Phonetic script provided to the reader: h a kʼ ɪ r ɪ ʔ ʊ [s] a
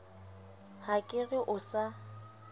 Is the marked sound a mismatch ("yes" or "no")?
no